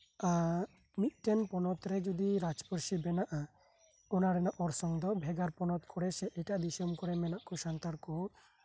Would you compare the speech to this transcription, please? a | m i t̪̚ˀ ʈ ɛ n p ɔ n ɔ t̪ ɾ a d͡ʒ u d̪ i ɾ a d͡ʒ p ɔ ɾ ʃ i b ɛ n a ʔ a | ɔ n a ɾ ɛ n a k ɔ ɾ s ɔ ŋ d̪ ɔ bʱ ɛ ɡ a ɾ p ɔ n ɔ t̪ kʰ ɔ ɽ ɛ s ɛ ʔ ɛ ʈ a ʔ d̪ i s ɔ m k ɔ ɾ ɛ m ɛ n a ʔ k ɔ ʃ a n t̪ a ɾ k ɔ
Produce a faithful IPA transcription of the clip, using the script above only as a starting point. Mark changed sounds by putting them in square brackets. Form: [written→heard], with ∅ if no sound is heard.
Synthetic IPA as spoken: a | m i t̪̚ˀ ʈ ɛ n p ɔ n ɔ t̪ ɾ [a→ɛ] d͡ʒ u d̪ i ɾ a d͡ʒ p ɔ ɾ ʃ i b ɛ n a ʔ a | ɔ n a ɾ ɛ n a [k→ʔ] ɔ ɾ s ɔ ŋ d̪ ɔ bʱ ɛ ɡ a ɾ p ɔ n ɔ t̪ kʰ ɔ ɽ ɛ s ɛ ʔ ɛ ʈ a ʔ d̪ i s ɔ m k ɔ ɾ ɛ m ɛ n a ʔ k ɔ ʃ a n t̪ a ɾ k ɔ